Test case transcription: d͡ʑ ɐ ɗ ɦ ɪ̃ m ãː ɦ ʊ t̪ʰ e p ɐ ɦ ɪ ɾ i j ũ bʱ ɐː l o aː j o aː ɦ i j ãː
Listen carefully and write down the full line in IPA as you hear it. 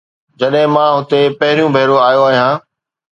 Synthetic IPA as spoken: d͡ʑ ɐ ɗ ɦ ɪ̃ m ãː ɦ ʊ t̪ e p ɐ ɦ ɪ ɾ i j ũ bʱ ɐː ɾ o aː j o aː ɦ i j ãː